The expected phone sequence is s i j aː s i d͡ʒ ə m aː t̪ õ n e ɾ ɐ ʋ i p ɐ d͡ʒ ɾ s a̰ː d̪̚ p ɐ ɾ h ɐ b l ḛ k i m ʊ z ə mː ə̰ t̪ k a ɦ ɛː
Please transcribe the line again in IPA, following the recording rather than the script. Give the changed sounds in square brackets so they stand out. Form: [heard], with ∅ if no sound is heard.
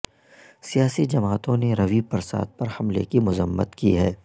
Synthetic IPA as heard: s i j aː s i d͡ʒ [ɐ] m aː t̪ õ n e ɾ ɐ ʋ i p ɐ [∅] ɾ s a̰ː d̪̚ p ɐ ɾ h ɐ [m] l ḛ k i m ʊ z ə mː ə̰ t̪ k [i] ɦ ɛː